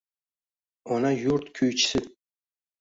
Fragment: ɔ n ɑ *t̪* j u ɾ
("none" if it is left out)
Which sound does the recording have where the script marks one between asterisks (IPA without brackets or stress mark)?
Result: none